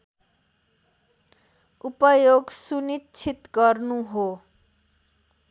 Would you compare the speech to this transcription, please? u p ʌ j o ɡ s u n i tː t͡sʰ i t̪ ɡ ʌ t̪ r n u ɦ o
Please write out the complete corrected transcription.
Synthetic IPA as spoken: u p ʌ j o ɡ s u n i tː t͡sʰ i t̪ ɡ ʌ r n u ɦ o